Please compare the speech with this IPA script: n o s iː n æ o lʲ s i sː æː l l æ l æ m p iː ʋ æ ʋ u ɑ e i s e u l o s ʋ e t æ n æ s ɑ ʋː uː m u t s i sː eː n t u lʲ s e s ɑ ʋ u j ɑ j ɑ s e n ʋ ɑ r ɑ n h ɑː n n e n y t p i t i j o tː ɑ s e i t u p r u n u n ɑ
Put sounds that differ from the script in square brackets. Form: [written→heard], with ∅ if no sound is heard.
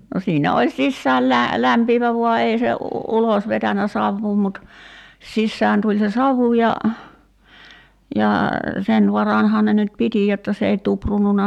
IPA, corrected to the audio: n o s iː n æ o lʲ s i sː æː l l æ l æ m p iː ʋ æ ʋ u ɑ e i s e u l o s ʋ e t æ n æ s ɑ ʋː uː m u t s i sː [eː→æː] n t u lʲ s e s ɑ ʋ u j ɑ j ɑ s e n ʋ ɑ r ɑ n h ɑː n n e n y t p i t i j o tː ɑ s e i t u p r u n u n ɑ